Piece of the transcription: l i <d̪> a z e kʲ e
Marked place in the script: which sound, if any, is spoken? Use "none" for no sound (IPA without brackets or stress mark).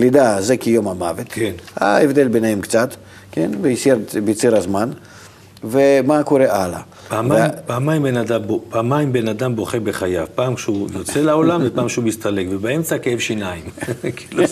d̪